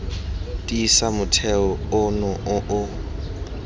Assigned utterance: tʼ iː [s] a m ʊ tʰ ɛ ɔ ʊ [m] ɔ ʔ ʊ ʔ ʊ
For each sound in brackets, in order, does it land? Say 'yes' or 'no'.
yes, no

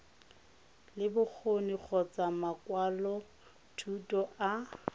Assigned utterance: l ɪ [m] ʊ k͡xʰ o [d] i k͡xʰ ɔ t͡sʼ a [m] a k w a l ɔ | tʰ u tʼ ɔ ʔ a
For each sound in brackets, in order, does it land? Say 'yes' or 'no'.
no, no, yes

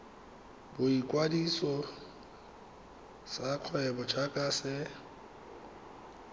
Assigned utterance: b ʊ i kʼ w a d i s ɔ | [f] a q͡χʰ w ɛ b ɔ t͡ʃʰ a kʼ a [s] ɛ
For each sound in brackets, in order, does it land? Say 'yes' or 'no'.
no, yes

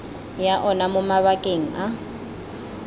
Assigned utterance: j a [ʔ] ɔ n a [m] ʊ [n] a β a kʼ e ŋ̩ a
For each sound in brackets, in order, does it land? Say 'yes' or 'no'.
yes, yes, no

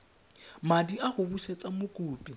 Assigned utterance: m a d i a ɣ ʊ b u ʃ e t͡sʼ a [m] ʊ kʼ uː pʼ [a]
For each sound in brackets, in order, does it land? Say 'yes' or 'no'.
yes, no

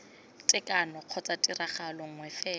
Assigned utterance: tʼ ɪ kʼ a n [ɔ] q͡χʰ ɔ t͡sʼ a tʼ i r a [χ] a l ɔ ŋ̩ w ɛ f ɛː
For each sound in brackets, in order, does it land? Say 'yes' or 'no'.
yes, yes

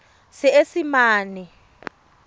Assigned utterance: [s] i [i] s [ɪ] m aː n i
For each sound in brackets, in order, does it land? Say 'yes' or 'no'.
yes, no, no

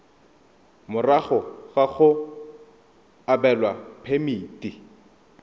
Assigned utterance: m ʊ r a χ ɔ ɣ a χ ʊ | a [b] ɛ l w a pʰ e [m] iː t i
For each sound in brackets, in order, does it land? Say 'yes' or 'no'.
yes, yes

